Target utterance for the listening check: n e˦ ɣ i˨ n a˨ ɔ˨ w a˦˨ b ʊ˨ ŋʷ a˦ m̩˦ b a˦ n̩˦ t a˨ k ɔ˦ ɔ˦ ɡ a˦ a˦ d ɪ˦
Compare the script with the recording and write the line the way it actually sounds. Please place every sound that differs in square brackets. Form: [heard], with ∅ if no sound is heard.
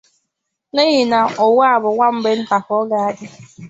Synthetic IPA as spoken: n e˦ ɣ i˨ n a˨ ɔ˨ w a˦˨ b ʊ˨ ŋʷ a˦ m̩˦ b [e˦] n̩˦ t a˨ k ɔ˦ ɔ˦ ɡ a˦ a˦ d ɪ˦